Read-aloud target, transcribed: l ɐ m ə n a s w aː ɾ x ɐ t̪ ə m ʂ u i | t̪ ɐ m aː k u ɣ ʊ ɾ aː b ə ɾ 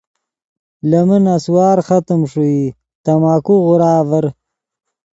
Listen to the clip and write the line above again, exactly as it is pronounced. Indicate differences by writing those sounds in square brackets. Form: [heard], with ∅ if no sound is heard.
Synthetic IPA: l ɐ m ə n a s w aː ɾ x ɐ t̪ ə m ʂ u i | t̪ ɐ m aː k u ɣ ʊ ɾ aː [v] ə ɾ